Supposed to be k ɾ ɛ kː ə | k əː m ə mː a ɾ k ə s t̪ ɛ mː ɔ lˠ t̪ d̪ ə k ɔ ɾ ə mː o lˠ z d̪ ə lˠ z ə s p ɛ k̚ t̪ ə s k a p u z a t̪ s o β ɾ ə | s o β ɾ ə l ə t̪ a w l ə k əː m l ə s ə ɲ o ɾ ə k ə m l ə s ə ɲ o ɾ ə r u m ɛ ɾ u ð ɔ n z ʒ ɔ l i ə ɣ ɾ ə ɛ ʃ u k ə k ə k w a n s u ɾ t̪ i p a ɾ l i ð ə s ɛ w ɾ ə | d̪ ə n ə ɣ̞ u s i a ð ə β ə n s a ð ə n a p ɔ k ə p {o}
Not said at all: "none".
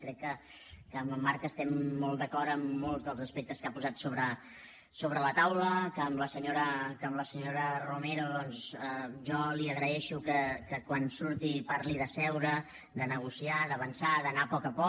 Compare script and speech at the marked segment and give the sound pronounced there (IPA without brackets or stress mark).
ɔ